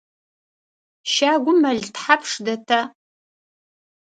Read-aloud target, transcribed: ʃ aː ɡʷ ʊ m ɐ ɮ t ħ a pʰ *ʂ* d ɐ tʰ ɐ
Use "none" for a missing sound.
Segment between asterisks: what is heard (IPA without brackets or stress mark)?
ʂ